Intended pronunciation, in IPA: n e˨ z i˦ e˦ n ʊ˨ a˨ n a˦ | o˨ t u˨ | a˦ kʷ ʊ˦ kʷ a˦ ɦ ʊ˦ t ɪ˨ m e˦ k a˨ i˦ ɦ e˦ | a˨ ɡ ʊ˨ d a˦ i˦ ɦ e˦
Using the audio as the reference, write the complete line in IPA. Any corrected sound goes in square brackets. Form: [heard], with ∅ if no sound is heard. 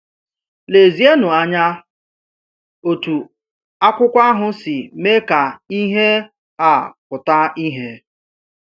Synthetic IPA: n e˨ z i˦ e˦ n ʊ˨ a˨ [ɲ] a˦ | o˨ t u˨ | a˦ kʷ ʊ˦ kʷ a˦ ɦ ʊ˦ [s] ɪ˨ m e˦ k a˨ i˦ ɦ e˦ | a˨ [k] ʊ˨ [t] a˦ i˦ ɦ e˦